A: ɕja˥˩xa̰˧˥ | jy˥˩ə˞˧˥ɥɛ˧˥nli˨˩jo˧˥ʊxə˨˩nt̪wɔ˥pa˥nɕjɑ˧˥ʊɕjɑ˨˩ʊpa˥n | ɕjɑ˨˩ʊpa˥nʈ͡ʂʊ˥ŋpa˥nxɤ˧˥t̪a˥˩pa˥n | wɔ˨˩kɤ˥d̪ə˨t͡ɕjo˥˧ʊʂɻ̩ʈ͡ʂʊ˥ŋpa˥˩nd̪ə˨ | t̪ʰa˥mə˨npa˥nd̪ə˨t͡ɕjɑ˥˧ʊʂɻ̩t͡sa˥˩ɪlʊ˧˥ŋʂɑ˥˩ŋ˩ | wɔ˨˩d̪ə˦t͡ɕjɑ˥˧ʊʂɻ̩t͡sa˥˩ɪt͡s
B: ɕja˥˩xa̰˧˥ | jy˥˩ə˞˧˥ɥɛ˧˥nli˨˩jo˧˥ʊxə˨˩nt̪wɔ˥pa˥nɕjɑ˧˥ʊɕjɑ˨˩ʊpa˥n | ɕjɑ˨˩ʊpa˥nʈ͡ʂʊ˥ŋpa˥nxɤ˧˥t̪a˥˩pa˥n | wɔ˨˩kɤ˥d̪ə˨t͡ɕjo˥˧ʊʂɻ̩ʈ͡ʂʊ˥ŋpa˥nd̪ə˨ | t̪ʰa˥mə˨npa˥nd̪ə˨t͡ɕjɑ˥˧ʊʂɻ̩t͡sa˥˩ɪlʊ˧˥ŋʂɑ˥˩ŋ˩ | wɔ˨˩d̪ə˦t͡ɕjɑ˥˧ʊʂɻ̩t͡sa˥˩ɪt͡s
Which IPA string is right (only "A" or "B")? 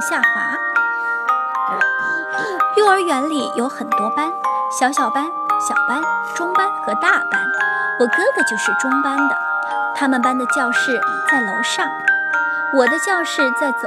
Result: B